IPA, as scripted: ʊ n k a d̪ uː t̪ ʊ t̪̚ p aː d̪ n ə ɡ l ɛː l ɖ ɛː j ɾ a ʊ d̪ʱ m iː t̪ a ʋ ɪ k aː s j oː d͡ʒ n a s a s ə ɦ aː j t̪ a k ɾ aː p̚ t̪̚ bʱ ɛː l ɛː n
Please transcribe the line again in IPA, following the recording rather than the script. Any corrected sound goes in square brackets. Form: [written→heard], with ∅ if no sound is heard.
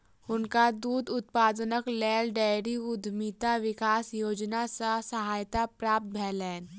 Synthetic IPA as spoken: ʊ n k a d̪ uː [t̪→d̪] ʊ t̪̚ p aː d̪ n ə [ɡ→k] l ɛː l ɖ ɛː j ɾ [a→i] ʊ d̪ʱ m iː t̪ a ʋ ɪ k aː s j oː d͡ʒ n a s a s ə ɦ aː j t̪ a [k→p] ɾ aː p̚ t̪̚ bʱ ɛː l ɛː n